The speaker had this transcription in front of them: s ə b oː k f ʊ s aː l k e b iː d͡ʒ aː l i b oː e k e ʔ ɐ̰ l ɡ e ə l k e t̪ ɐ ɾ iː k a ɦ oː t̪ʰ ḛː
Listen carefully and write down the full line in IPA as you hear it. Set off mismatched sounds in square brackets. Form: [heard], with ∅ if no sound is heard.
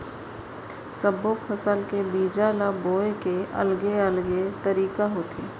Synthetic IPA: s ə b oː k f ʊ s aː l k e b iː d͡ʒ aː l [a] b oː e k e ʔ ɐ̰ l ɡ e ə l [ɡ] e t̪ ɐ ɾ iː k a ɦ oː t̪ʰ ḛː